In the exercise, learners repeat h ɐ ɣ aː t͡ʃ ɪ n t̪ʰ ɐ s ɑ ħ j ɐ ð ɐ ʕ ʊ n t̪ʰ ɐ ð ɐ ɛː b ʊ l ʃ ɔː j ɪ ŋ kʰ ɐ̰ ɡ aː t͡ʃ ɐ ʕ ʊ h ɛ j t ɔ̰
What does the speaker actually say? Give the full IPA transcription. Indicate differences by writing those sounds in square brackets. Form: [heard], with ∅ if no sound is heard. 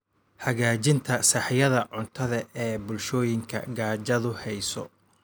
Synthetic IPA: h ɐ ɣ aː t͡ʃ ɪ n t̪ʰ ɐ s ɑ ħ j ɐ ð ɐ ʕ ʊ n t̪ʰ ɐ ð ɐ ɛː b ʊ l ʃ ɔː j ɪ ŋ kʰ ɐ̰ ɡ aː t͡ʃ ɐ [ð] ʊ h ɛ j [s] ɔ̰